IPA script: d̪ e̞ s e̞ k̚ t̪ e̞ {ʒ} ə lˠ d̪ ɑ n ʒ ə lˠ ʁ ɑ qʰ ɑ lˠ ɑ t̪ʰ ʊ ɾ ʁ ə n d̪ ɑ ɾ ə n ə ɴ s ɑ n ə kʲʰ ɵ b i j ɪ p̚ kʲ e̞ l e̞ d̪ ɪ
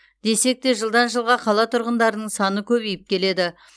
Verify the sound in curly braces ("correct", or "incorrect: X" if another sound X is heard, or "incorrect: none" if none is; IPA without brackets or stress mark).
correct